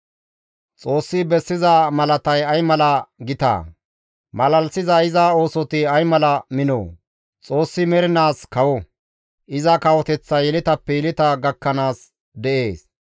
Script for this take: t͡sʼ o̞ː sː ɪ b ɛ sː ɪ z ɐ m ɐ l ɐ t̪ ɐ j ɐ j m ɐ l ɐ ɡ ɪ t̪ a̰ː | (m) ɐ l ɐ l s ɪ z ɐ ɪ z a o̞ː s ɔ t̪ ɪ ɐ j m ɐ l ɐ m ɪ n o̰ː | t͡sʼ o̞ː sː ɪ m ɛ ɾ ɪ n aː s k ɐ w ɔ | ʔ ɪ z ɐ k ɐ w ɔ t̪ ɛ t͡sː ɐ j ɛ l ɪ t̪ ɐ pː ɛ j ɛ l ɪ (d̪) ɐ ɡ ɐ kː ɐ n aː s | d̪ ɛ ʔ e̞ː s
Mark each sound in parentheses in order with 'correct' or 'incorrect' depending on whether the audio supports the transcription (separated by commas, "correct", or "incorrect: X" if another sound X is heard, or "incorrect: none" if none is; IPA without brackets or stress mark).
correct, incorrect: t̪